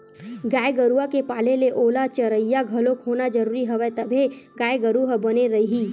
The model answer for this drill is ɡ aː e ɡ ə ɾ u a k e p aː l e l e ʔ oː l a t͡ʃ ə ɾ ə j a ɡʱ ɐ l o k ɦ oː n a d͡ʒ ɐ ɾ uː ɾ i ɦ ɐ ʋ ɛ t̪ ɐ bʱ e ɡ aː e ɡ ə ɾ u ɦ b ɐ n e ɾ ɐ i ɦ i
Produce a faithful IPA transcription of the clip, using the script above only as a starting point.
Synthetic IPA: ɡ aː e ɡ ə ɾ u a k e p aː l e l e ʔ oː l a t͡ʃ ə ɾ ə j a ɡʱ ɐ l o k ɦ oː n a d͡ʒ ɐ ɾ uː ɾ i ɦ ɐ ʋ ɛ t̪ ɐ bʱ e ɡ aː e ɡ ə ɾ u ɦ b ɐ n e ɾ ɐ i ɦ i